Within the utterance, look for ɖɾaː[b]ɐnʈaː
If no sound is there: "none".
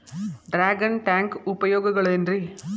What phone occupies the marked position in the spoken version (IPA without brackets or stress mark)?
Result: ɡ